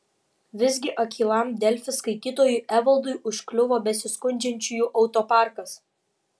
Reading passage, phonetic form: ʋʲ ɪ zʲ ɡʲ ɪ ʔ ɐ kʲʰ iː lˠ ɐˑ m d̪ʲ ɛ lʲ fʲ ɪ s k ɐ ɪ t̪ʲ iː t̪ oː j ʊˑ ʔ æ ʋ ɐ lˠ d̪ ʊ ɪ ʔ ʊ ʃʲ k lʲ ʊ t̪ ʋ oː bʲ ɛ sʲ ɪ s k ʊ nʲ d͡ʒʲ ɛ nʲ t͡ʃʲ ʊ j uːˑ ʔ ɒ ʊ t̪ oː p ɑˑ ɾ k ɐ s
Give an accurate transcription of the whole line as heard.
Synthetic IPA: ʋʲ ɪ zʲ ɡʲ ɪ ʔ ɐ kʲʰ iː lˠ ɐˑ m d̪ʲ ɛ lʲ fʲ ɪ s k ɐ ɪ t̪ʲ iː t̪ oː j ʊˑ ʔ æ ʋ ɐ lˠ d̪ ʊ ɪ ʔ ʊ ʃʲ k lʲ ʊ ʋ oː bʲ ɛ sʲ ɪ s k ʊ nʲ d͡ʒʲ ɛ nʲ t͡ʃʲ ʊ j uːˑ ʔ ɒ ʊ t̪ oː p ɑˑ ɾ k ɐ s